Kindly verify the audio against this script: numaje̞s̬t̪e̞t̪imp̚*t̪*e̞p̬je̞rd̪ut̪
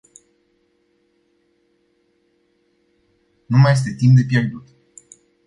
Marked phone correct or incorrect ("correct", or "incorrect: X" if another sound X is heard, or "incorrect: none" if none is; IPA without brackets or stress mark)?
incorrect: d̪